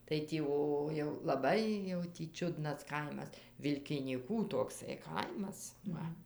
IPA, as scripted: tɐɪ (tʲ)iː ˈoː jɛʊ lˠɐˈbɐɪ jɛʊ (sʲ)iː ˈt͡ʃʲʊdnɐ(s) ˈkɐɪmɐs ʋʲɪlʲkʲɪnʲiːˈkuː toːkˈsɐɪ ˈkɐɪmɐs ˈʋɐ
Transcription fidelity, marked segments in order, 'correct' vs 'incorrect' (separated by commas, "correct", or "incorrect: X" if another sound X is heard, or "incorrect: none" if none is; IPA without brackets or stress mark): correct, incorrect: tʲ, correct